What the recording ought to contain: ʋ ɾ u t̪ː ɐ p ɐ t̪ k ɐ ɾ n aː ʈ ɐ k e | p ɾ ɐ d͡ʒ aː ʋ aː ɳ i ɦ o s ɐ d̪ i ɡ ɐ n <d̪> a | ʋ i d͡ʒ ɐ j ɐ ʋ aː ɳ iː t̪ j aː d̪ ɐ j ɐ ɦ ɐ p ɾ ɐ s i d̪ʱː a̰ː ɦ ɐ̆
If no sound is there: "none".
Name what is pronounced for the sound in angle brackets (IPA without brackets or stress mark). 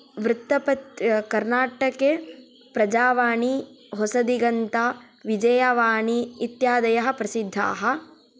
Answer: t̪